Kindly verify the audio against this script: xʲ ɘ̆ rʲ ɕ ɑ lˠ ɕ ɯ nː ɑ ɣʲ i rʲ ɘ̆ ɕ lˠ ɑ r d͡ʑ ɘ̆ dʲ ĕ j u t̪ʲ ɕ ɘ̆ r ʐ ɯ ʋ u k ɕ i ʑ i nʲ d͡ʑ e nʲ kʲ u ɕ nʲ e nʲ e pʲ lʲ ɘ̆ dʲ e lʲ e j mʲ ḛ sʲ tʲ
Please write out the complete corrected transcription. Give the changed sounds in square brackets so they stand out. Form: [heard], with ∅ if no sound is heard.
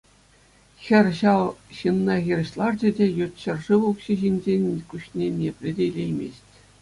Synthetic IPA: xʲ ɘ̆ rʲ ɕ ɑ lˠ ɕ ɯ nː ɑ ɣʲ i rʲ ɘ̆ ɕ lˠ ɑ r d͡ʑ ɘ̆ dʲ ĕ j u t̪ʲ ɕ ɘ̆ r ʐ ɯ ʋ u k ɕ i ʑ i nʲ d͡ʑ e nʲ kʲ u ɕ nʲ e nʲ e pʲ lʲ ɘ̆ dʲ e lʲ e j mʲ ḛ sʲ tʲ